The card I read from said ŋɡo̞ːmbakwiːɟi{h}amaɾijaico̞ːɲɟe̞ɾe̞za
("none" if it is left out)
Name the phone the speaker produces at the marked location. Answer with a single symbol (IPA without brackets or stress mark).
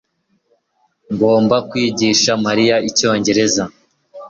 ʃ